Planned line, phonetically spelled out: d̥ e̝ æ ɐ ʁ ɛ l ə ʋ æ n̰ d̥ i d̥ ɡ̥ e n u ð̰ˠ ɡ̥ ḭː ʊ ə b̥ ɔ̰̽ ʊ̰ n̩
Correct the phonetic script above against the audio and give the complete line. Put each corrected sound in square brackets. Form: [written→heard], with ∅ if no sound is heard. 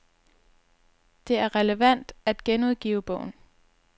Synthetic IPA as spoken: d̥ e̝ æ ɐ ʁ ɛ l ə ʋ æ n̰ d̥ [i→æ] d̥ ɡ̥ e n u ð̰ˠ ɡ̥ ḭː ʊ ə b̥ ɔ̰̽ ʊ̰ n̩